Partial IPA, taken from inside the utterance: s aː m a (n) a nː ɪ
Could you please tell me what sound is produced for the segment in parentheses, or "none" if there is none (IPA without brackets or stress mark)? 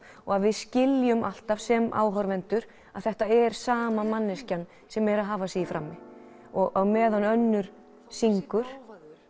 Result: m